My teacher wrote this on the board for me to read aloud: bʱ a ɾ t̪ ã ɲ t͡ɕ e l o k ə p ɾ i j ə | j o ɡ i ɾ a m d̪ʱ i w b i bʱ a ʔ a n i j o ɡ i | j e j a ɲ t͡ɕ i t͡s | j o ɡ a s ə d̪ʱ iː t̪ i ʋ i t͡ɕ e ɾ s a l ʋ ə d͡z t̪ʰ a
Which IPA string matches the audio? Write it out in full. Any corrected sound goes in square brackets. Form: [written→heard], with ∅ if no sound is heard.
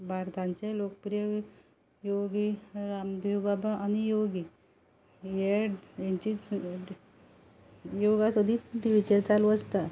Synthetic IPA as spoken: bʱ a ɾ t̪ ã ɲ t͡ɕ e l o k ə p ɾ i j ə | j o ɡ i ɾ a m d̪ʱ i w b [i→a] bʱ a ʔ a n i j o ɡ i | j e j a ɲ t͡ɕ i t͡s | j o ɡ a s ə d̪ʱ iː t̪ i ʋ i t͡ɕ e ɾ [s→t͡s] a l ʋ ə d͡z [t̪ʰ→t̪] a